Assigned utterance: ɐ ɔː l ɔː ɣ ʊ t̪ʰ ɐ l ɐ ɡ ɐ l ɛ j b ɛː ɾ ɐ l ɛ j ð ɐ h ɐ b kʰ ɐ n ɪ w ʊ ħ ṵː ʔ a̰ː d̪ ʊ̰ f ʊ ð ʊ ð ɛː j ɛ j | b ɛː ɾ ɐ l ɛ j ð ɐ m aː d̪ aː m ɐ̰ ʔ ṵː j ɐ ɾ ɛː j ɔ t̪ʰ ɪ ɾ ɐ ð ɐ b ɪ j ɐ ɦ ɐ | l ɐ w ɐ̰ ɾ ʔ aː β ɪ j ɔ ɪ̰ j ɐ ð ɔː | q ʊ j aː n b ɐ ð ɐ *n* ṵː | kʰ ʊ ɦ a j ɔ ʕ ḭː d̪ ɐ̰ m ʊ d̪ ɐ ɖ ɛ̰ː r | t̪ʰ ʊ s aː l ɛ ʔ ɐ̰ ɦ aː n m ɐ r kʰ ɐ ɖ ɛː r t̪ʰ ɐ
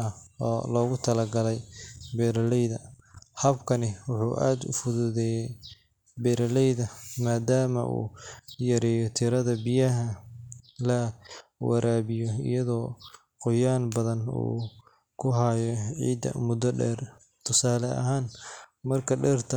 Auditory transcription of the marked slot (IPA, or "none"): n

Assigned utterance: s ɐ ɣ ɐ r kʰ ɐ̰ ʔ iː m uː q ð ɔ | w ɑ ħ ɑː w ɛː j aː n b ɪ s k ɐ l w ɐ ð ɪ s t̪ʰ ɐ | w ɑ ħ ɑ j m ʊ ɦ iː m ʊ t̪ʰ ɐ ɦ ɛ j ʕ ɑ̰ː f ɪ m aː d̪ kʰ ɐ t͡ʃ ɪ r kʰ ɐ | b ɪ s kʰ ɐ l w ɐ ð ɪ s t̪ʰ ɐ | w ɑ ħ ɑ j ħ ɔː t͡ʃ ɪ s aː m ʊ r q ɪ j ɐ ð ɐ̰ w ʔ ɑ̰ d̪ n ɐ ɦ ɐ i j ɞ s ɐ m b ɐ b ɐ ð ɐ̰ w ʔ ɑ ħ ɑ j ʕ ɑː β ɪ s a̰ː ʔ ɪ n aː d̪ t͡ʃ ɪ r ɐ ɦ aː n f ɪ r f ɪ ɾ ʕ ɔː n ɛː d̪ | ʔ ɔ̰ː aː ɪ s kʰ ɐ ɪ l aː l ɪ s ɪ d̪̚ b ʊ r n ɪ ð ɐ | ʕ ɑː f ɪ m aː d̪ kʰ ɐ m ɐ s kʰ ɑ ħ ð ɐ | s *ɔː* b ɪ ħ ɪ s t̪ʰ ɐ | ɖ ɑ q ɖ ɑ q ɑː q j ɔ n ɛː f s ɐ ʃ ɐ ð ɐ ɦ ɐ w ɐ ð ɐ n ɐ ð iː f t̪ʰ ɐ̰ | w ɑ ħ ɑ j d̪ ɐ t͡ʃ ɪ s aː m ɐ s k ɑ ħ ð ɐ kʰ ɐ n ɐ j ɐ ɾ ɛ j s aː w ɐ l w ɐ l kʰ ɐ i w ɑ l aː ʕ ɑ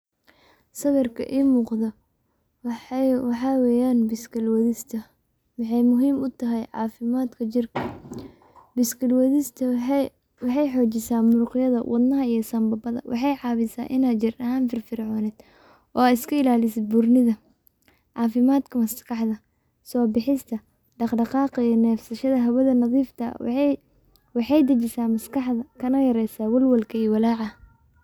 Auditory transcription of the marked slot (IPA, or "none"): ɔː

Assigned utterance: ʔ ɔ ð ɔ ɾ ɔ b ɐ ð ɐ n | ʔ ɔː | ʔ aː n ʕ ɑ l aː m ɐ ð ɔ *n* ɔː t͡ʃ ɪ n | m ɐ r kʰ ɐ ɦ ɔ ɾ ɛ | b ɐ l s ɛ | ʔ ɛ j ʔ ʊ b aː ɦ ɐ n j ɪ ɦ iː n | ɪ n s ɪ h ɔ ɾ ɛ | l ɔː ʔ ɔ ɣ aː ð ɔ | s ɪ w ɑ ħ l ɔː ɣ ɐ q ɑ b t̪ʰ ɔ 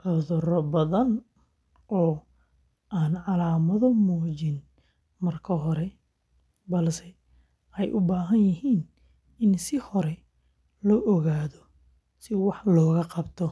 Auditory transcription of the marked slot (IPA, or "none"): m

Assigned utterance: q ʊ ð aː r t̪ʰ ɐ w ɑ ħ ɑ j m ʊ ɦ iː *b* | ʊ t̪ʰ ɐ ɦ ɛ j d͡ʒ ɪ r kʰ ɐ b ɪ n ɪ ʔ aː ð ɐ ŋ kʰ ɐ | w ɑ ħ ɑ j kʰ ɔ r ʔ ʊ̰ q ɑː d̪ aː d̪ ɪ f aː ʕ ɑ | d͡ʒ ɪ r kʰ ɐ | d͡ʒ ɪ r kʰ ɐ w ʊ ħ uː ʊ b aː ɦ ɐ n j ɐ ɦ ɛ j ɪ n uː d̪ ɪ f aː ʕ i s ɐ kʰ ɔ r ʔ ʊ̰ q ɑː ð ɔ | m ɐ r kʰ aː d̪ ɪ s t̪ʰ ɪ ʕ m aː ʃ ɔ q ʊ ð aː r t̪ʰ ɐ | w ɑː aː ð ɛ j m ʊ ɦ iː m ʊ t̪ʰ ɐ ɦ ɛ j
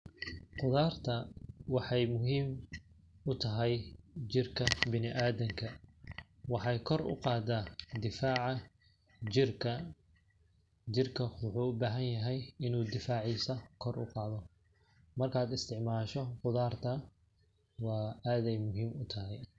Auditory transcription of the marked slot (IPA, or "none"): m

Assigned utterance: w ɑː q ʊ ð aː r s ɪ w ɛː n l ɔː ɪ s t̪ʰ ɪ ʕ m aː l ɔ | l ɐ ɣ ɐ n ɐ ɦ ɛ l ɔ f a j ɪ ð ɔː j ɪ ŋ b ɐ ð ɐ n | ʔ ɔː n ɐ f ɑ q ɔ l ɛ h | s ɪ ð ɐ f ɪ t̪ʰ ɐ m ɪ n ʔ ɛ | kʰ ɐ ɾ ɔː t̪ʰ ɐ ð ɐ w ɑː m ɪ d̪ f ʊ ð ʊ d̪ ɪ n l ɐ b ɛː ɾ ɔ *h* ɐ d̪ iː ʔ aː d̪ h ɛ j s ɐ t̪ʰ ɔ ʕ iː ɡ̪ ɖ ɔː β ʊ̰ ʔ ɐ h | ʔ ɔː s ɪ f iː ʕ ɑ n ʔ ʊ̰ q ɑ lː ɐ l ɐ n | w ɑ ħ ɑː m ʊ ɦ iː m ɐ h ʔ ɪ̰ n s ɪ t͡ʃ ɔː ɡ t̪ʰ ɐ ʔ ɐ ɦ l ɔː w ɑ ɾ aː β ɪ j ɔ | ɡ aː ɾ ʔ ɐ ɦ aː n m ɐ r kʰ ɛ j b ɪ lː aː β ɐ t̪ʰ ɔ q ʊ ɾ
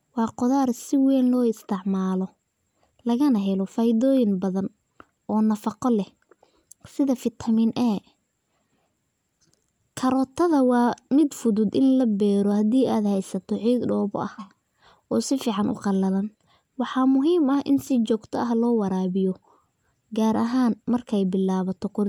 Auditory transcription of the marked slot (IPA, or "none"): h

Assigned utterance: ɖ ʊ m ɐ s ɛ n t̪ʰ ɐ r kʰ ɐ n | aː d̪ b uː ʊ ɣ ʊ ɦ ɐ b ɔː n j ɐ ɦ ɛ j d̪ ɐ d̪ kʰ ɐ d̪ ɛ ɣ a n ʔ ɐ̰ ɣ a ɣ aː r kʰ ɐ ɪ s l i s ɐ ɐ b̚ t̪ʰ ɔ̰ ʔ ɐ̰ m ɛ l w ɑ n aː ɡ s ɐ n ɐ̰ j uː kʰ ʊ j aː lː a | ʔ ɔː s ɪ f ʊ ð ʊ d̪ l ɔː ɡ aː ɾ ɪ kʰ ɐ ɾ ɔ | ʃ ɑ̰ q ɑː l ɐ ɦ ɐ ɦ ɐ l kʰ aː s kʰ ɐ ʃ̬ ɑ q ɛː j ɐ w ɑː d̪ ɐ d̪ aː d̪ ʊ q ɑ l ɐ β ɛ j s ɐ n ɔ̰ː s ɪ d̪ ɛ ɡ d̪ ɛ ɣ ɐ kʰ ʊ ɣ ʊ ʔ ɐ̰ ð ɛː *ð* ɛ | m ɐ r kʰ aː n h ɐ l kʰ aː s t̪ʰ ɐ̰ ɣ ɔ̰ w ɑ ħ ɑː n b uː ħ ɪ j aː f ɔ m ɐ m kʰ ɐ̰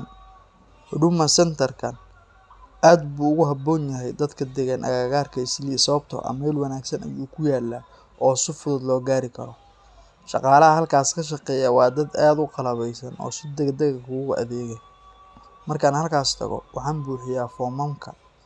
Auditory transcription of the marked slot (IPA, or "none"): ɣ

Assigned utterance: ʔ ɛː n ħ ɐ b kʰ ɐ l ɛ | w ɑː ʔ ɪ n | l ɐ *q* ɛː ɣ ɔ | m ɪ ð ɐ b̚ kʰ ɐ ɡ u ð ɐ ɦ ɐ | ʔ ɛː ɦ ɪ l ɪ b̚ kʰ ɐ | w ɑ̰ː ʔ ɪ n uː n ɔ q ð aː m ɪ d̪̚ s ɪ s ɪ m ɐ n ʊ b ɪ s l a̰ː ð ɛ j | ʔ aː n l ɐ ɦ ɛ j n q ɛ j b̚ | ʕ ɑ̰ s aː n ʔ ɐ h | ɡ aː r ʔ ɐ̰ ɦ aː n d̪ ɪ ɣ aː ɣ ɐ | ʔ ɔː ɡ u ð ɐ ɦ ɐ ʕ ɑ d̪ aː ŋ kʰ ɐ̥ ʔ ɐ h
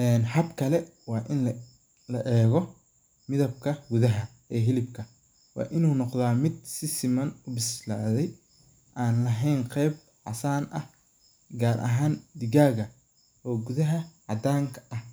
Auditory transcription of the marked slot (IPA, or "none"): ʔ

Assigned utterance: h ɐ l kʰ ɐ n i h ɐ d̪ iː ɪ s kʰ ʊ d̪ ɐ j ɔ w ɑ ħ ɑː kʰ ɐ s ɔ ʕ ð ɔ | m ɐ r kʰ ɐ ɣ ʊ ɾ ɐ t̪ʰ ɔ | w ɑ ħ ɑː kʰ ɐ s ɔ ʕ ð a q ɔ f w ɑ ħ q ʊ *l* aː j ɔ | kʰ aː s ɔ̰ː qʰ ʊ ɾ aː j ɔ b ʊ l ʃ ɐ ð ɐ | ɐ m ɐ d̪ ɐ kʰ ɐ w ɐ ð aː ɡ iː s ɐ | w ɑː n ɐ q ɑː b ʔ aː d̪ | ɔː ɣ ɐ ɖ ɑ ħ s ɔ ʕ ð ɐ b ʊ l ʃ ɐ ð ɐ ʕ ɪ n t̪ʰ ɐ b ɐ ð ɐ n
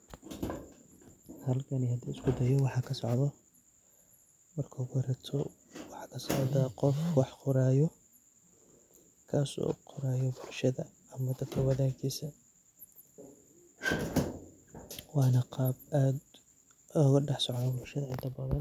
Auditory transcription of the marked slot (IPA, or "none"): ɾ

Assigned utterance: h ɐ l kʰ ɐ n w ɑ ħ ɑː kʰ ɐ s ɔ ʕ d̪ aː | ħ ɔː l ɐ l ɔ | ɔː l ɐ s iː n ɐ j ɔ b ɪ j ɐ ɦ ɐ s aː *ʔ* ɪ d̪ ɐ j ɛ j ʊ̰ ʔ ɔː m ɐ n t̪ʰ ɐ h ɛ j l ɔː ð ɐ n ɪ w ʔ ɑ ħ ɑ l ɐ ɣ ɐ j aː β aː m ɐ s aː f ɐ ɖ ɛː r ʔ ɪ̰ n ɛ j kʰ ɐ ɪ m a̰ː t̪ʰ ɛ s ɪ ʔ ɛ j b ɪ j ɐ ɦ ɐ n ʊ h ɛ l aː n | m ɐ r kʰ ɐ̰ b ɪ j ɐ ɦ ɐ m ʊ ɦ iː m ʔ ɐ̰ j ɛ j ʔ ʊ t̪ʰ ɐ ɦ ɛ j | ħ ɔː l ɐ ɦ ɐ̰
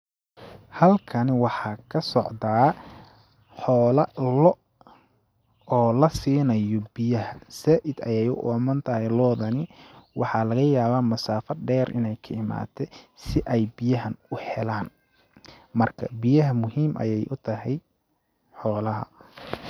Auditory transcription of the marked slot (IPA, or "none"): ʔ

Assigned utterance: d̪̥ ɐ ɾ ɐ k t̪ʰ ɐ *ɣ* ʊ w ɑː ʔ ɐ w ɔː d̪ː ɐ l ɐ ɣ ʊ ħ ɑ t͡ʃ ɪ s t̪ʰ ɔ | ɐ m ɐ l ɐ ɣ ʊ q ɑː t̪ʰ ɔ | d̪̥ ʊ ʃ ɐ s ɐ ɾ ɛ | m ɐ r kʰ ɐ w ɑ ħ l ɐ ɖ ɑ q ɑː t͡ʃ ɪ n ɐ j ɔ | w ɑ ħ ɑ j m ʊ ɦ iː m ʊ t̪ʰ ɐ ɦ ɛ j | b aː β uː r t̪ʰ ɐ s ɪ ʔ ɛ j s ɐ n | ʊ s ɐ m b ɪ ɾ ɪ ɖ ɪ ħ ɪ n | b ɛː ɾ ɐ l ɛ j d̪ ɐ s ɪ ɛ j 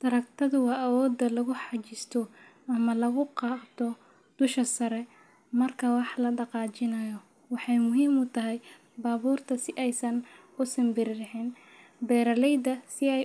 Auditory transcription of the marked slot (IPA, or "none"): ð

